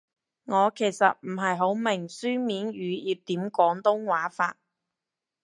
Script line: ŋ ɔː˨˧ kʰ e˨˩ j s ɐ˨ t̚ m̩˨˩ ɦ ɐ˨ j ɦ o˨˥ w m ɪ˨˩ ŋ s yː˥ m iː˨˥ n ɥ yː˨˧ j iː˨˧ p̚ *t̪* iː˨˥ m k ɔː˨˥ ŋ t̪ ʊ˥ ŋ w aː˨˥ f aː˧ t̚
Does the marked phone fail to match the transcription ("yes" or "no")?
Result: no